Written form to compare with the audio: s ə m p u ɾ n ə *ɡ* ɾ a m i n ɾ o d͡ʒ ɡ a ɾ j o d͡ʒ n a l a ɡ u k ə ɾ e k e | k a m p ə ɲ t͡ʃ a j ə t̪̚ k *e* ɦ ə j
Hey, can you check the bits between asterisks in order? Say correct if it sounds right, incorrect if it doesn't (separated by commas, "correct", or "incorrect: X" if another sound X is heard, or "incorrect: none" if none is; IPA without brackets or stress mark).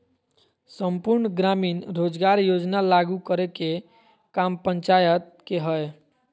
correct, correct